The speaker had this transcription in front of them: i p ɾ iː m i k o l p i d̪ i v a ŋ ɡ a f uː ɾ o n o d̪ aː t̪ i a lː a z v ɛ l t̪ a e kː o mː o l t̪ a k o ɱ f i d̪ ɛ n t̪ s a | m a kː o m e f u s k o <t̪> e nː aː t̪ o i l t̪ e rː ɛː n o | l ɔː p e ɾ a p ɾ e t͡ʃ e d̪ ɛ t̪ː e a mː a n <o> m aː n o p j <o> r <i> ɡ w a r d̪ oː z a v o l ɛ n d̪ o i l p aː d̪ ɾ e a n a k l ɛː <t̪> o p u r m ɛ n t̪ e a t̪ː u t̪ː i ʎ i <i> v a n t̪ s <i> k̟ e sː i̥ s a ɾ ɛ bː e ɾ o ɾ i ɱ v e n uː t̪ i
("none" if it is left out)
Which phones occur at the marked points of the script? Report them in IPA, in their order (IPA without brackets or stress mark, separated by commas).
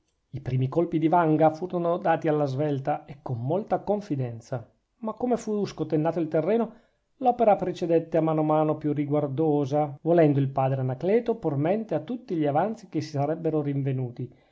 t̪, o, u, i, t̪, a, i